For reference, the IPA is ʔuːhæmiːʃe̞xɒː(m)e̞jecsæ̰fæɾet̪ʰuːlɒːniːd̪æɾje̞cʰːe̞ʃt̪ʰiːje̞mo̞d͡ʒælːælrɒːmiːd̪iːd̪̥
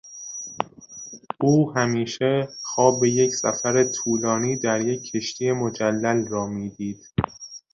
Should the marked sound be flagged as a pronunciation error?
yes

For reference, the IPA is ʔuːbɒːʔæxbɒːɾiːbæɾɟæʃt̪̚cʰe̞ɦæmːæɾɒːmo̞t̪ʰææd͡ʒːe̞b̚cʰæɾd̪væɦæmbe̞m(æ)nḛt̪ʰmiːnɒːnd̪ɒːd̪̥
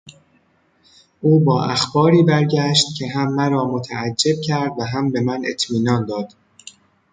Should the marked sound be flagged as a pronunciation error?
no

